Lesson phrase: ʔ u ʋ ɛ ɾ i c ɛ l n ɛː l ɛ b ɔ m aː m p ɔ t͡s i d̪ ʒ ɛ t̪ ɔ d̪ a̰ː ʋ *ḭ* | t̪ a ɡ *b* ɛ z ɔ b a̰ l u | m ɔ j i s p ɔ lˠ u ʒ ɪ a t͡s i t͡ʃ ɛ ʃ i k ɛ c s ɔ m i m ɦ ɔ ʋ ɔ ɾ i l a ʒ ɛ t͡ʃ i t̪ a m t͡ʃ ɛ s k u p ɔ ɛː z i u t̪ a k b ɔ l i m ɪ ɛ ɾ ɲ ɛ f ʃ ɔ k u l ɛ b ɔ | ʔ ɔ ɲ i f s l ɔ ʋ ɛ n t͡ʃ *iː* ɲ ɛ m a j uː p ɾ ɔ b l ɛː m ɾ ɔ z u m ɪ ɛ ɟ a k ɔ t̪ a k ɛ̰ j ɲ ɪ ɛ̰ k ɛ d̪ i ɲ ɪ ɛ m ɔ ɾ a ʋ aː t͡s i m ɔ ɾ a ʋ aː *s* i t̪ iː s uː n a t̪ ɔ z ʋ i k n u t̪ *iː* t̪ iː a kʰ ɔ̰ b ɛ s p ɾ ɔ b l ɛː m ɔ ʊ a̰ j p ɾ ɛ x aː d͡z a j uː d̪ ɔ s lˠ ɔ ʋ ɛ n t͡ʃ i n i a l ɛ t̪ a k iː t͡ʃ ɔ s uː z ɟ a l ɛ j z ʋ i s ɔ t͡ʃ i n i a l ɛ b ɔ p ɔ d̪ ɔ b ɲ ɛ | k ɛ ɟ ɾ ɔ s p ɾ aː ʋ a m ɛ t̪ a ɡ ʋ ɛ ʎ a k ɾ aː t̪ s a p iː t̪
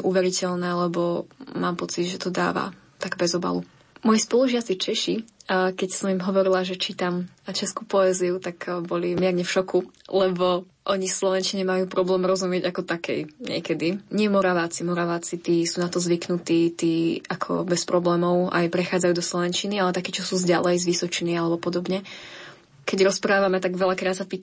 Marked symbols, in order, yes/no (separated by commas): no, yes, no, no, yes